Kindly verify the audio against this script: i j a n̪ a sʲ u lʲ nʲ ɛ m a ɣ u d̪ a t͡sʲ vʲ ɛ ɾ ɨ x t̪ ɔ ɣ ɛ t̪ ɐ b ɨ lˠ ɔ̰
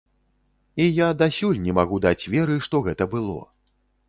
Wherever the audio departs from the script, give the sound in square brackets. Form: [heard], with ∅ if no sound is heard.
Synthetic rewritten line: i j a [d̪] a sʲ u lʲ nʲ ɛ m a ɣ u d̪ a t͡sʲ vʲ ɛ ɾ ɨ [ʂ] t̪ ɔ ɣ ɛ t̪ ɐ b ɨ lˠ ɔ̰